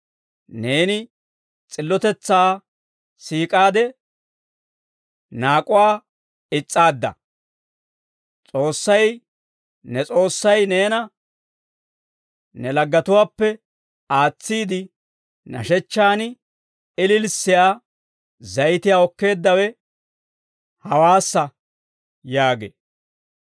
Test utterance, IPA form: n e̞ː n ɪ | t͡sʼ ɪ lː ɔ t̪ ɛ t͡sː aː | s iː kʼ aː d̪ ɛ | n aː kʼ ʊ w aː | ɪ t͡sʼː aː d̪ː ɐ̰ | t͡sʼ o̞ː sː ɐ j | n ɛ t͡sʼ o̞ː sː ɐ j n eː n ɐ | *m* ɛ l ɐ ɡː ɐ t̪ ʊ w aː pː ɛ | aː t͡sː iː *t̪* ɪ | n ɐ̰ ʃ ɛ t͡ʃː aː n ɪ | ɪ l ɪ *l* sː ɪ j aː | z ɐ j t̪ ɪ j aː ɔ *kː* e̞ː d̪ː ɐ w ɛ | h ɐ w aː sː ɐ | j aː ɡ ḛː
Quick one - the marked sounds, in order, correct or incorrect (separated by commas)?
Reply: incorrect, incorrect, correct, correct